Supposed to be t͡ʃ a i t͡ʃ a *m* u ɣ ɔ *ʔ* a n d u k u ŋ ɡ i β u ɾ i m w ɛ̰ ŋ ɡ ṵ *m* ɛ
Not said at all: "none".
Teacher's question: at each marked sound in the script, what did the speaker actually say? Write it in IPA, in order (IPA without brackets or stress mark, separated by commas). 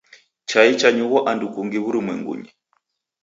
ɲ, ʔ, ɲ